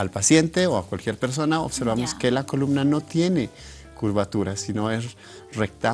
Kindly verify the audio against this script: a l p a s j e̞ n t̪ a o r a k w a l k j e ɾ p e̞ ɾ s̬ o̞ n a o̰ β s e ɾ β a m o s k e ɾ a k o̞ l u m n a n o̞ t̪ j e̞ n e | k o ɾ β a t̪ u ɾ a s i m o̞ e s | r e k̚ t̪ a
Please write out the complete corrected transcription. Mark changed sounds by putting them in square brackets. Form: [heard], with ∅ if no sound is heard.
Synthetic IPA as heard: a l p a s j e̞ n t̪ [e] o [∅] a k w a l k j e ɾ p e̞ ɾ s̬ o̞ n a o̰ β s e ɾ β a m o s k e [l] a k o̞ l u m n a n o̞ t̪ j e̞ n e | k [u] ɾ β a t̪ u ɾ a s i [n] o̞ e s | r e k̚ t̪ a